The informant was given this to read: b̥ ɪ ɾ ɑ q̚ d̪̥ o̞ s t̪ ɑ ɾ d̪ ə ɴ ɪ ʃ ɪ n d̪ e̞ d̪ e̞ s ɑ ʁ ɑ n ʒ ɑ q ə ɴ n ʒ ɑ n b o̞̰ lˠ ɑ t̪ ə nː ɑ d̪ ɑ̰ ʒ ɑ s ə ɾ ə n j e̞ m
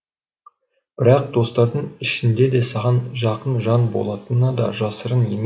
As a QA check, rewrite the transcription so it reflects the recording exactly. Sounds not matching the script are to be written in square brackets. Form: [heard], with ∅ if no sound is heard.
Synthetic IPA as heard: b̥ ɪ ɾ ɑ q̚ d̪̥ o̞ s t̪ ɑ ɾ d̪ ə ɴ ɪ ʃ ɪ n d̪ e̞ d̪ e̞ s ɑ ʁ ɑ n ʒ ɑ q ə [∅] n ʒ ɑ n b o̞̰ lˠ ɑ t̪ ə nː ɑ d̪ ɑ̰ ʒ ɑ s ə ɾ ə n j e̞ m